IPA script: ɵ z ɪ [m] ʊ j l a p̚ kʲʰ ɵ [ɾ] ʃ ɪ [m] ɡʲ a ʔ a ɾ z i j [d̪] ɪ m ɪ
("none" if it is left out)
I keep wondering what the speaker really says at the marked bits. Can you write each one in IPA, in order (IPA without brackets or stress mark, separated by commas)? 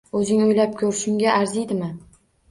ŋ, ɾ, ŋ, d̪